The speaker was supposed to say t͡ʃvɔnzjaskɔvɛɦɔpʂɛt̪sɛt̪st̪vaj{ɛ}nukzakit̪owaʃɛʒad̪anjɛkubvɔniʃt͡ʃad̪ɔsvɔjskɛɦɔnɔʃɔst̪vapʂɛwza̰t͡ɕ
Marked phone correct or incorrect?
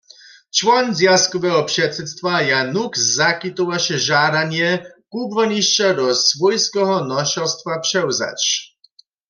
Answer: incorrect